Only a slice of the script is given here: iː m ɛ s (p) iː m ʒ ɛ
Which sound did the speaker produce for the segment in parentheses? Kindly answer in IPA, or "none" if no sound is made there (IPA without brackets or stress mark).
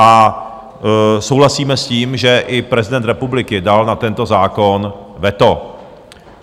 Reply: c